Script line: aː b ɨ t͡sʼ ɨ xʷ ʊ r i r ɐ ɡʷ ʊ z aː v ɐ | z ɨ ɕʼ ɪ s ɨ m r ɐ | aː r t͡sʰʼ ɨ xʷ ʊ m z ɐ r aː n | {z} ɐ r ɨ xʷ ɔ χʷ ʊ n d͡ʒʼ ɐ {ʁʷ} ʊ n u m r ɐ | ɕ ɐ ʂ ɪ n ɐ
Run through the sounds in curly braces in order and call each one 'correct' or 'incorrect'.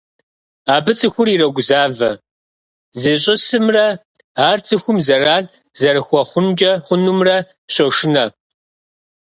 correct, incorrect

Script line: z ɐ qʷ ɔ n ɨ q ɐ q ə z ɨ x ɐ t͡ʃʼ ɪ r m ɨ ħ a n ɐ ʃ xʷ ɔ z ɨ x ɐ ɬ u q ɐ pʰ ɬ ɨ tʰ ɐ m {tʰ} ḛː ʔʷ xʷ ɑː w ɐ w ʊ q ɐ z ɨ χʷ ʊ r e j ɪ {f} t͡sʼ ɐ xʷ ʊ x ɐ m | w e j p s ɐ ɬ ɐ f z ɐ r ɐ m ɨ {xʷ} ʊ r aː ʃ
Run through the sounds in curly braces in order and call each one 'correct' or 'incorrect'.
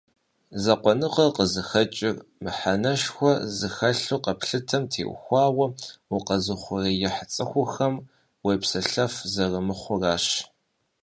correct, incorrect, incorrect

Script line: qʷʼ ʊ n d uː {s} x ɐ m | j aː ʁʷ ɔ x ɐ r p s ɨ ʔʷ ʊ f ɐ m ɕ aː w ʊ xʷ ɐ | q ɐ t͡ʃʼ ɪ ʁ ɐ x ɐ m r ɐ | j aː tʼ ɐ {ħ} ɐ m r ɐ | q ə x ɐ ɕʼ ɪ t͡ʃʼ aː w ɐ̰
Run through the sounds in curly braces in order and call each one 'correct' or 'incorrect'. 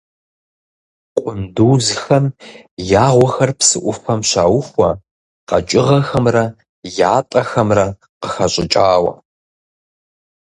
incorrect, incorrect

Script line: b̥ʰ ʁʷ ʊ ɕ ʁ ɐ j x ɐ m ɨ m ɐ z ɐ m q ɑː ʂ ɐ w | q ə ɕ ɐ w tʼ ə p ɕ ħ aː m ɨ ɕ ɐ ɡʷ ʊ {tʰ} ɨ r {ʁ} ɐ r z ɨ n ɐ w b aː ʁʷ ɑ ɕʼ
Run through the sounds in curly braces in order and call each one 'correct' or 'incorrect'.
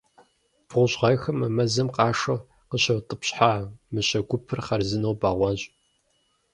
incorrect, incorrect

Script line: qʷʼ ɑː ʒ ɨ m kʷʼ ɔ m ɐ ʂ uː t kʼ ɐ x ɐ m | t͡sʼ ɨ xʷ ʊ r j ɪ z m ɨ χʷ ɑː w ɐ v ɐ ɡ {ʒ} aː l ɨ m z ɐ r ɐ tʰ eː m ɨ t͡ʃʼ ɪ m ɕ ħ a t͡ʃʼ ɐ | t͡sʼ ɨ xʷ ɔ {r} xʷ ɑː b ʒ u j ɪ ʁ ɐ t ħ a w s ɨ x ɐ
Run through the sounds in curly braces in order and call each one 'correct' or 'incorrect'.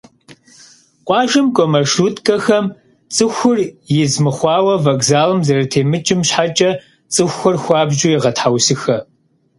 incorrect, correct

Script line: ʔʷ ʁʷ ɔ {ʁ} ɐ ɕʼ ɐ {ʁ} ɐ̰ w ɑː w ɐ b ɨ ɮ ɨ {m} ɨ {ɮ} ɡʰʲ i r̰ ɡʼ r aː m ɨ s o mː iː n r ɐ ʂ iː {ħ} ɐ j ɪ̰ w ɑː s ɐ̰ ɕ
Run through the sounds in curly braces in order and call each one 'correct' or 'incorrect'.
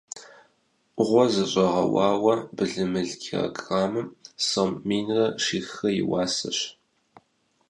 incorrect, correct, correct, correct, incorrect

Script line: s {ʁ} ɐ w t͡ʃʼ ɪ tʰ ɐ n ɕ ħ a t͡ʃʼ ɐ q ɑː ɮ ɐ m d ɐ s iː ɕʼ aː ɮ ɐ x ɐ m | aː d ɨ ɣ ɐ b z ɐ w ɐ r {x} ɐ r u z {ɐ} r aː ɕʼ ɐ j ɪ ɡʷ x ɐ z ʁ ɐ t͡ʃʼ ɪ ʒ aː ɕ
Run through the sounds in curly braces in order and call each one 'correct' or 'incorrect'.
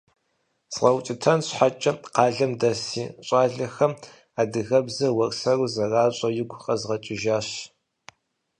correct, incorrect, correct

